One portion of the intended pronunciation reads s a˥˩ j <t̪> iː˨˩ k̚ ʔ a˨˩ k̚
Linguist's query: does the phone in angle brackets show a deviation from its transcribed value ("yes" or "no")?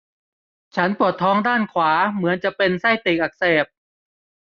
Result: no